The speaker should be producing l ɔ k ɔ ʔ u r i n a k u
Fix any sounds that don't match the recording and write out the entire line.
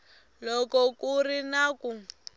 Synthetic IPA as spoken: l ɔ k ɔ k u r i n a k u